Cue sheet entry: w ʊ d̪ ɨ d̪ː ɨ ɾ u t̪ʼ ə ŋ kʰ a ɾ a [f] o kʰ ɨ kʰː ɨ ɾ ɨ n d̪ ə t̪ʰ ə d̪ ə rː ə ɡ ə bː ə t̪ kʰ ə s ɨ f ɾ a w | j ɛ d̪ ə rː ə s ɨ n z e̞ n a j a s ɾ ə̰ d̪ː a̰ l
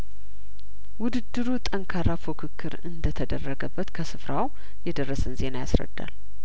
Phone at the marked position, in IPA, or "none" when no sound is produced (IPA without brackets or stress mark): f